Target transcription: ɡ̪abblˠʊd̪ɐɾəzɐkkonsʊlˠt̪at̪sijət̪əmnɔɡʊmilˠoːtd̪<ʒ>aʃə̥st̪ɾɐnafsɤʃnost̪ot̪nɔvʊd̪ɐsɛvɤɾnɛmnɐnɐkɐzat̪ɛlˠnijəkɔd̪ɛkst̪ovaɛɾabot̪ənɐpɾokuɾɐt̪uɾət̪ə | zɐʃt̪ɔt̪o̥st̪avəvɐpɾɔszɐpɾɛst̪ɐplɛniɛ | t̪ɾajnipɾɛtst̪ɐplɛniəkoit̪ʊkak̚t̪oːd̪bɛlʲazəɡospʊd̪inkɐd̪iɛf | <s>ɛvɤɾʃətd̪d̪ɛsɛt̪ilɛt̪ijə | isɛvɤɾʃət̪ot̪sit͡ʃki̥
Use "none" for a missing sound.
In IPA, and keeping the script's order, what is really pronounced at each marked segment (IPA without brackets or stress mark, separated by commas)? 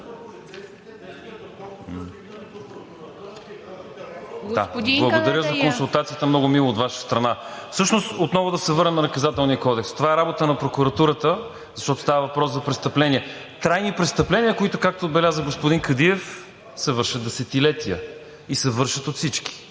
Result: v, s